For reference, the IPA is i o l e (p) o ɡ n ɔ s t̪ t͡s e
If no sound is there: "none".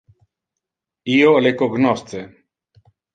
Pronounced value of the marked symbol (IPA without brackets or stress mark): k